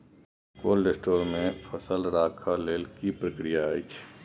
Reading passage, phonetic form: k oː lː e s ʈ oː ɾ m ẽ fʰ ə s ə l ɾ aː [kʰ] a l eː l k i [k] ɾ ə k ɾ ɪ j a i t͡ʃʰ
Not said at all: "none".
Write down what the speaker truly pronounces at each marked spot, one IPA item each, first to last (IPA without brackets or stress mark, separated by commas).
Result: kʰ, p